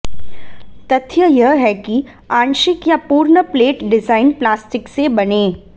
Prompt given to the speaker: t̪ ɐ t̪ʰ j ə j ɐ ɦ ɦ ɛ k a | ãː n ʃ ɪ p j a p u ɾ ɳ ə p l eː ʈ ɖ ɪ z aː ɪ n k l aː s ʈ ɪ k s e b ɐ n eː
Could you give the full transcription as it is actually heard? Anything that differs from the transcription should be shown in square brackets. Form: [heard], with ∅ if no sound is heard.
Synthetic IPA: t̪ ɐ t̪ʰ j ə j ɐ ɦ ɦ ɛ k [i] | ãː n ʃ ɪ [k] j a p [uː] ɾ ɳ ə p l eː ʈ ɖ ɪ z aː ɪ n [p] l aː s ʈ ɪ k s e b ɐ n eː